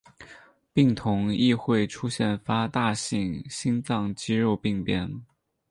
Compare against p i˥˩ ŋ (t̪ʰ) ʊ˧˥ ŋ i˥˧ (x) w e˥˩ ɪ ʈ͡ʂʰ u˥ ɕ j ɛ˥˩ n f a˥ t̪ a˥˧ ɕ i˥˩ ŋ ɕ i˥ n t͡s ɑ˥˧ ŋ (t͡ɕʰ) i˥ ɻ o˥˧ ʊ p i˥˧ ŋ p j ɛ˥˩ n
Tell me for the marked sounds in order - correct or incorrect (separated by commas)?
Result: correct, correct, incorrect